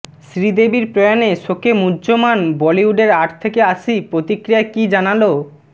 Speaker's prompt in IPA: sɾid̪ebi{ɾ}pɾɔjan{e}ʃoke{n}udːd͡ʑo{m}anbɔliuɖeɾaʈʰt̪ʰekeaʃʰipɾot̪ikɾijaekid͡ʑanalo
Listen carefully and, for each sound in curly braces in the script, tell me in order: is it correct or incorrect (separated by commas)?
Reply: correct, correct, incorrect, correct